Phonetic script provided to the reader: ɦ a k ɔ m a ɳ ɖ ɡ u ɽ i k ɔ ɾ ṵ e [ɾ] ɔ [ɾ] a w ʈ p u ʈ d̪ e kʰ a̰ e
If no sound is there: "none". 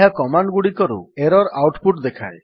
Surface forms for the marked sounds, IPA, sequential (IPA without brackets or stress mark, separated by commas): ɾ, ɾ